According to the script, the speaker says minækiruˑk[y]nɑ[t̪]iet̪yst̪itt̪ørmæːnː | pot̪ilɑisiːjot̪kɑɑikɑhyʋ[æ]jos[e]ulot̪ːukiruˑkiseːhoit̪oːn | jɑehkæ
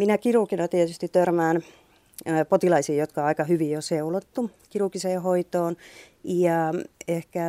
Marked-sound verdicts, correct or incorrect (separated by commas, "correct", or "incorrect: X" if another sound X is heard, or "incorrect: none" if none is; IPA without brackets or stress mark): incorrect: i, correct, incorrect: i, correct